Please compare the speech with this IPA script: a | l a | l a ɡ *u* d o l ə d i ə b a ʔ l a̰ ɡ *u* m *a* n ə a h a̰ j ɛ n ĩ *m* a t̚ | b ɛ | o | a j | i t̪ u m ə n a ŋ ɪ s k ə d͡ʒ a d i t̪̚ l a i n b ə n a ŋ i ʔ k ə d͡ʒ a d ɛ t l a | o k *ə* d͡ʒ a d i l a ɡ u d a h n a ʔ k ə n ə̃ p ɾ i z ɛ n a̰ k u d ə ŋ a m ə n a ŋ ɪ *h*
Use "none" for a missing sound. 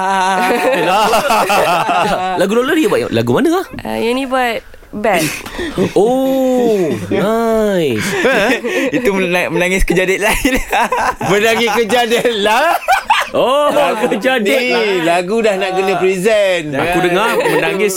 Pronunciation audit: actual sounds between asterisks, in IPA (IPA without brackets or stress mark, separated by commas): u, u, a, b, ə, s